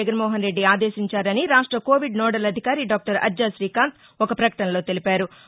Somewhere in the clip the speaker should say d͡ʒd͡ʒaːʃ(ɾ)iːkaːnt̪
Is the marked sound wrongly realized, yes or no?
no